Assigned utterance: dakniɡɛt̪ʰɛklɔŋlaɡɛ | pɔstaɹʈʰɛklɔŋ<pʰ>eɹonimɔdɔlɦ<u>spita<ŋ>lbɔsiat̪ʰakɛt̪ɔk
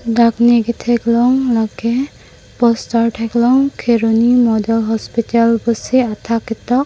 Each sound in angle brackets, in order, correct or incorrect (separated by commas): incorrect, incorrect, incorrect